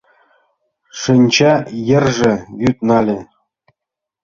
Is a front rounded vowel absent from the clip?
no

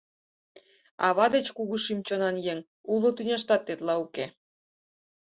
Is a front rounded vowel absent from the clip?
no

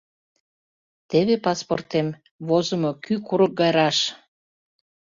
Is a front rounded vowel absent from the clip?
no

